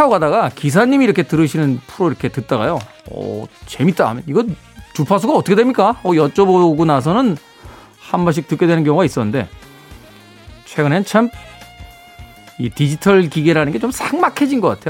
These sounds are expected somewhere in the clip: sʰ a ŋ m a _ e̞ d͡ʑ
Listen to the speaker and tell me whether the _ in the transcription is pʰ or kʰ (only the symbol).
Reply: kʰ